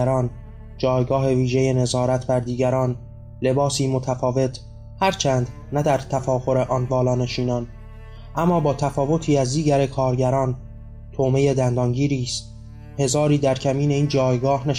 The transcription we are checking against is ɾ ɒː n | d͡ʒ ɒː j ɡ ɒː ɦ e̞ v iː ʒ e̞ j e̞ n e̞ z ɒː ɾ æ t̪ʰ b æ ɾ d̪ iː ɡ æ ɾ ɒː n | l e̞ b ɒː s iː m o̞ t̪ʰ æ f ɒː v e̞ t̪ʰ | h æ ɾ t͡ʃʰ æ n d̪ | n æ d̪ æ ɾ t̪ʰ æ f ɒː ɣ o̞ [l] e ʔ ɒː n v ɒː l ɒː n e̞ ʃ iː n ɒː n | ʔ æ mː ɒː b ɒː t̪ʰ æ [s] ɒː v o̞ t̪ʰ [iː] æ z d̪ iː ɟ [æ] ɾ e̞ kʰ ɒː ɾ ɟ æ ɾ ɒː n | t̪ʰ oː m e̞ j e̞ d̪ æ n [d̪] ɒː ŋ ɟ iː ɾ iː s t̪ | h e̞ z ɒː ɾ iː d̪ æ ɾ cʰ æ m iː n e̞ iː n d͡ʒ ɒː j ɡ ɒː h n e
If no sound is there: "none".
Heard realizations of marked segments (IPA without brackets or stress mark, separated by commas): ɾ, f, iː, æ, d̪